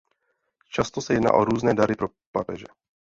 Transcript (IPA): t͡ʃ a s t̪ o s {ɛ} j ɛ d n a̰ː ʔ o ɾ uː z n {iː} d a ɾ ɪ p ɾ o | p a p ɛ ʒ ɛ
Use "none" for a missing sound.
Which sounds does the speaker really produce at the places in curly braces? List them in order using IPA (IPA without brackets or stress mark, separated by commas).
ɛ, ɛː